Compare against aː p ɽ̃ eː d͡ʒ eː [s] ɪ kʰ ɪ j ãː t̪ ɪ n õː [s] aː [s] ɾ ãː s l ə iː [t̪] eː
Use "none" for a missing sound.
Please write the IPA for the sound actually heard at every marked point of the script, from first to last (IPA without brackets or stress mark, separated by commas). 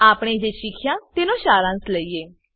ʃ, ʃ, none, none